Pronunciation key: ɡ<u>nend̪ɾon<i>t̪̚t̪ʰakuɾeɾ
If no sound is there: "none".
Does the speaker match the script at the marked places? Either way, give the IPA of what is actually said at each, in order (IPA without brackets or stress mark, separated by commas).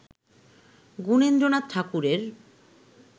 u, a